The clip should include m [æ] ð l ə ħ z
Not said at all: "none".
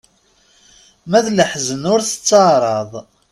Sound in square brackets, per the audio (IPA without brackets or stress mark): æ